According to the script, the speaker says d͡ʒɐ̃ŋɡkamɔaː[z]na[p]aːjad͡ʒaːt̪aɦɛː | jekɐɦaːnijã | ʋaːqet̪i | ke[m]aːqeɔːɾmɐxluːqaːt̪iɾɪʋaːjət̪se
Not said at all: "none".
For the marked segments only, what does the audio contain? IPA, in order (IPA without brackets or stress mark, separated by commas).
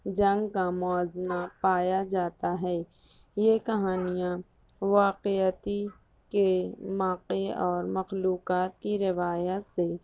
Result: z, p, m